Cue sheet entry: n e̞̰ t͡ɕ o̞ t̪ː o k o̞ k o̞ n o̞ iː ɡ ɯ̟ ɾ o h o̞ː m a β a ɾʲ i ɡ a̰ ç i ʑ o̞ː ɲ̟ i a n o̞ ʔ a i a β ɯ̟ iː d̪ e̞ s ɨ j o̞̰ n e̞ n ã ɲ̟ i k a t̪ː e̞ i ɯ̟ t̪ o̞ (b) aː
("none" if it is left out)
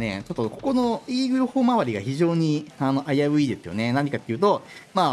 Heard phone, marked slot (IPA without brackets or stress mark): m